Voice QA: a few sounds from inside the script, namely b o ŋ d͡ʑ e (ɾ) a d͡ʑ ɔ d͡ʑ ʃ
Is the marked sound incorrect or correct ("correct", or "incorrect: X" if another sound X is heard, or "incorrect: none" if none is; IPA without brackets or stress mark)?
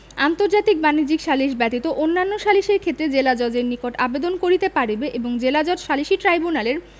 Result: incorrect: l